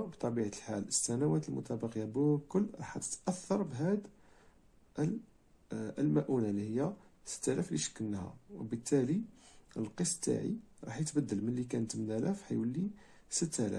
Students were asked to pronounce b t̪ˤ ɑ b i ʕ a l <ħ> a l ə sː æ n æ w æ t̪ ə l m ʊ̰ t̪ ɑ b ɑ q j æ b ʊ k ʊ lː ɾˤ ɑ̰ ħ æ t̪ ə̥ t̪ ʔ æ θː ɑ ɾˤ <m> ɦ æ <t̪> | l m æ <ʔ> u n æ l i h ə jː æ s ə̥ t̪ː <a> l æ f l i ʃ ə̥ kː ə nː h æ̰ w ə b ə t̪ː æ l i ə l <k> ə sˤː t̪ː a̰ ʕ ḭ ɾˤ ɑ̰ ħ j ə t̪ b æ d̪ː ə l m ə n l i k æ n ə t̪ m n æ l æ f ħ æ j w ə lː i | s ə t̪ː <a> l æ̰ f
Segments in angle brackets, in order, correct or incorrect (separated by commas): correct, incorrect, incorrect, correct, incorrect, incorrect, incorrect